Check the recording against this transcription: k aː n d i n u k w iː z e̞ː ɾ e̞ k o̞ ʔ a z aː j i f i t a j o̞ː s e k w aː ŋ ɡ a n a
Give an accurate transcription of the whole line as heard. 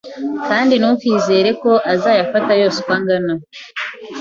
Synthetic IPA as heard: k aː n d i n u k w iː z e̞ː ɾ e̞ k o̞ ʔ a z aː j a f a t a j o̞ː s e k w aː ŋ ɡ a n a